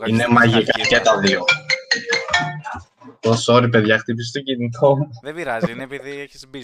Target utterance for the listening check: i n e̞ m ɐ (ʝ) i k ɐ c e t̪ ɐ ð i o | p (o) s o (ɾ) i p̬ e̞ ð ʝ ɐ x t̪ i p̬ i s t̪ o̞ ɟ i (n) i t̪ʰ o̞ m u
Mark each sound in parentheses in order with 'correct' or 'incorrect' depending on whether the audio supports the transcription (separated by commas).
correct, correct, correct, correct